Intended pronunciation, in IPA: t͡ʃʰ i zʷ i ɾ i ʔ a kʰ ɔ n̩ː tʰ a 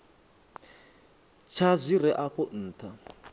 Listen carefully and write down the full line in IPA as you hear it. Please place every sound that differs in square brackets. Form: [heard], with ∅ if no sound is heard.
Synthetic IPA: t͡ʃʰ [a] zʷ i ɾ [ɛ] ʔ a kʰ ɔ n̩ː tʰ a